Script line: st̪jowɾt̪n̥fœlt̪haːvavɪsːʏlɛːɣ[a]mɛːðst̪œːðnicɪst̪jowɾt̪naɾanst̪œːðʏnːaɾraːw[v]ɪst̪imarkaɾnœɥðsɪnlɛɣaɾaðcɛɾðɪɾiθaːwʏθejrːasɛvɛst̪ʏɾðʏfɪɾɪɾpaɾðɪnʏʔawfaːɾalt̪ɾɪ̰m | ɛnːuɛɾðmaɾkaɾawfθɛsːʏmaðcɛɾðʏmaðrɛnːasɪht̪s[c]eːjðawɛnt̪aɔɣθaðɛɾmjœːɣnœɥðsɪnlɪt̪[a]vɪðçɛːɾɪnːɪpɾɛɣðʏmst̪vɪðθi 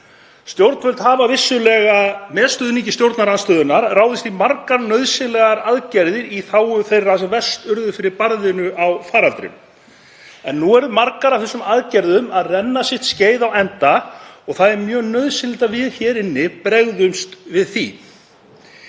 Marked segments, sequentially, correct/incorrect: correct, incorrect, correct, correct

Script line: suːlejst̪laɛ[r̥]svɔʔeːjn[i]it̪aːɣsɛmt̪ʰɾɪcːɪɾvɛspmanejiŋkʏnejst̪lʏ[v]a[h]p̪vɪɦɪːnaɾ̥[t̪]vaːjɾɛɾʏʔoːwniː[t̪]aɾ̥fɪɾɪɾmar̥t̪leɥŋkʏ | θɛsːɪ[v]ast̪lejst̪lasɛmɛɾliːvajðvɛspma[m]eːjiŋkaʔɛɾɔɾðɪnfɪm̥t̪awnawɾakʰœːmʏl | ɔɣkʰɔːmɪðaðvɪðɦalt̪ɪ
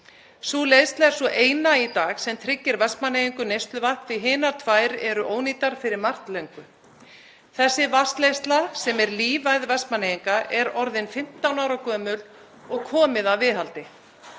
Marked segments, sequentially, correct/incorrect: incorrect, incorrect, correct, correct, incorrect, correct, correct, incorrect

